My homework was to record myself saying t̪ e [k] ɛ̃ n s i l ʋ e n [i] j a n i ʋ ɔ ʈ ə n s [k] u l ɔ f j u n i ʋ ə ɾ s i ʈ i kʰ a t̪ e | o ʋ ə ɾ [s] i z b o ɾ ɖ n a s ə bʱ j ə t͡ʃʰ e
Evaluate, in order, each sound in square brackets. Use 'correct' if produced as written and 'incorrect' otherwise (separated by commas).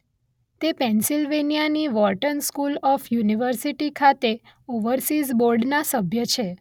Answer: incorrect, correct, correct, correct